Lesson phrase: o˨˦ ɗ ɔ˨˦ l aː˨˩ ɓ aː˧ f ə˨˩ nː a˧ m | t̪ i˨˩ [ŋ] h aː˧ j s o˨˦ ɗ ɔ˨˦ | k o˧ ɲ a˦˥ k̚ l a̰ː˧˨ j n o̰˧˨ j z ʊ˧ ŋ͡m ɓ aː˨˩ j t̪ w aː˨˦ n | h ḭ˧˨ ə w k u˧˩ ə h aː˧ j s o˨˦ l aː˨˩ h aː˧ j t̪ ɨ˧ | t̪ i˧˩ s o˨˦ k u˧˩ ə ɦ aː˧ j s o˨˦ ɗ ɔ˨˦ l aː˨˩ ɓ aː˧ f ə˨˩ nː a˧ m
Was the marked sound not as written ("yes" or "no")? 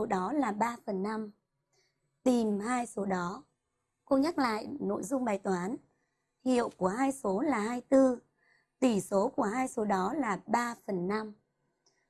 yes